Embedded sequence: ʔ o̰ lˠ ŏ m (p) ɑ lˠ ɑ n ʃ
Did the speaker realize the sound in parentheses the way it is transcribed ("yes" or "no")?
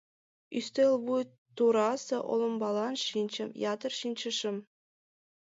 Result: no